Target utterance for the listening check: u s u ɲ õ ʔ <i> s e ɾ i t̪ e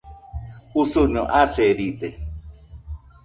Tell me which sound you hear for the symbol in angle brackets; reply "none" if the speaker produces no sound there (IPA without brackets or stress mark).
a